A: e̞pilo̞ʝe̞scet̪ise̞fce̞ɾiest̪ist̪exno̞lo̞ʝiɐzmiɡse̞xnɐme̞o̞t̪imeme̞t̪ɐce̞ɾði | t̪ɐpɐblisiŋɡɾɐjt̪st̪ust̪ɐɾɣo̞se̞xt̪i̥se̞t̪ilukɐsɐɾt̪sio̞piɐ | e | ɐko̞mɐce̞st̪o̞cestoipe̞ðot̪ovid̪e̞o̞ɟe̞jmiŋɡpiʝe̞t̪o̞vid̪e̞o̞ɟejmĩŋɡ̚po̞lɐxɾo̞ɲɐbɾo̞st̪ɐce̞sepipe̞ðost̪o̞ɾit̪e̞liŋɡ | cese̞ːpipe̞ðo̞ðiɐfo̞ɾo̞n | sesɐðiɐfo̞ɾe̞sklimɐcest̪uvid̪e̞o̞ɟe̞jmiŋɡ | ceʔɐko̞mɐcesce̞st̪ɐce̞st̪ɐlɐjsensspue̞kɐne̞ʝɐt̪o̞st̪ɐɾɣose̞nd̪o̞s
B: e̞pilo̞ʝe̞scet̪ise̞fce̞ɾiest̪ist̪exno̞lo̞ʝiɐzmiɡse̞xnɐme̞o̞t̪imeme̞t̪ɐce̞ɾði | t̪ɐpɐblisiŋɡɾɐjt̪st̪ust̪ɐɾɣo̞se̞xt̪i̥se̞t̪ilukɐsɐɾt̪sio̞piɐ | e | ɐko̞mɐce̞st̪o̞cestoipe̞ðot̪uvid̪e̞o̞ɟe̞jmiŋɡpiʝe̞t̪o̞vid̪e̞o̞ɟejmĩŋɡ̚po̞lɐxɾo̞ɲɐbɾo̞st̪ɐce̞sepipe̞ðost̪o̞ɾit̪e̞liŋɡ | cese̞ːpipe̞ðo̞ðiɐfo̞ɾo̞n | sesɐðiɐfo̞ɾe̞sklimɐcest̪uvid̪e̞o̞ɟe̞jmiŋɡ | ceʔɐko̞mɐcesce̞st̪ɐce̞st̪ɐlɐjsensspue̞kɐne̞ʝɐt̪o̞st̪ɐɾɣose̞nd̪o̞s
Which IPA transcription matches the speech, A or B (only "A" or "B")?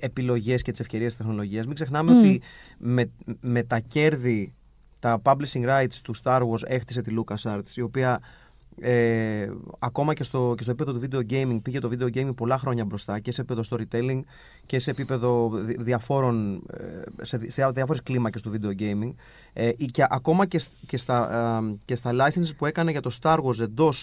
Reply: B